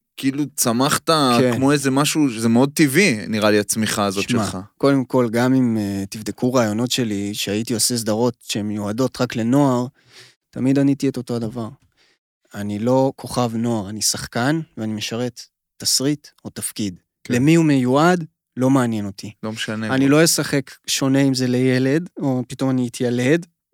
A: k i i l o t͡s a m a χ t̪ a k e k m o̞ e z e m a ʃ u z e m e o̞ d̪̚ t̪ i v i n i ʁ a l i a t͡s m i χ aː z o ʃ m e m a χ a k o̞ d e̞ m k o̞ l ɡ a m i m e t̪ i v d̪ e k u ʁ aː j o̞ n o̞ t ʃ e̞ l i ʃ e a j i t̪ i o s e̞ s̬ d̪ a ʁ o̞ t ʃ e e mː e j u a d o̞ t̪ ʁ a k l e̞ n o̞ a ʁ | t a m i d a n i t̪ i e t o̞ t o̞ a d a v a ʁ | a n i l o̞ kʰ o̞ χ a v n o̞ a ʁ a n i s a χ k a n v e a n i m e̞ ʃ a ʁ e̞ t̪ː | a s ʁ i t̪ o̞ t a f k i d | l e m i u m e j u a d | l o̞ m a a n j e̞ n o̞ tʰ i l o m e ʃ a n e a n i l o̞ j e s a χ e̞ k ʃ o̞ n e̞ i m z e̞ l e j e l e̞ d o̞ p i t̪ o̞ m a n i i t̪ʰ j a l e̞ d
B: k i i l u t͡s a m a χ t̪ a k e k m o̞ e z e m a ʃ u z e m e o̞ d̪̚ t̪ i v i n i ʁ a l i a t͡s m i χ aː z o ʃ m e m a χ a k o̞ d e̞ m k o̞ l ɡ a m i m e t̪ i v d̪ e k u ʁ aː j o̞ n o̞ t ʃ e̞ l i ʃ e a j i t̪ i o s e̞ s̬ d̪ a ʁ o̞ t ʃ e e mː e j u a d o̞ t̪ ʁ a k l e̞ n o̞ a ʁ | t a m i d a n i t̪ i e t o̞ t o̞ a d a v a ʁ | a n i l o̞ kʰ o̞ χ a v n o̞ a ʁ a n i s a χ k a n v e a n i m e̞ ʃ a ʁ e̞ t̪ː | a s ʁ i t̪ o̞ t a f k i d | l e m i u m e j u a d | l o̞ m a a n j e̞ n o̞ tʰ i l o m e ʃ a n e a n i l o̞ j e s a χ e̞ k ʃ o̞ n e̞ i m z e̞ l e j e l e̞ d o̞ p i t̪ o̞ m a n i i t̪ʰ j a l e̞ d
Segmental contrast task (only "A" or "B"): B